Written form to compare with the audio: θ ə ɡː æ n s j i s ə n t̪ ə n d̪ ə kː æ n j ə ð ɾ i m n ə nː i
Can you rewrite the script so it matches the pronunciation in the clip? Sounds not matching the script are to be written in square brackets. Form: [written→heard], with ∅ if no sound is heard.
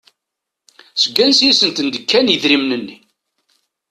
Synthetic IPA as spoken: [θ→s] ə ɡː æ n s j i s ə n t̪ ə n d̪ ə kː æ n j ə ð ɾ i m n ə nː i